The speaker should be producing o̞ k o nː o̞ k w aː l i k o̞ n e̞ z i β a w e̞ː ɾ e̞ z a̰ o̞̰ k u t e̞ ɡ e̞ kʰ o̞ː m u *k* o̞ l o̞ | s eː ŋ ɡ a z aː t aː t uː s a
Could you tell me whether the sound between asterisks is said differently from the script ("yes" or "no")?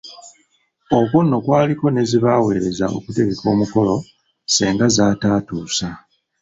no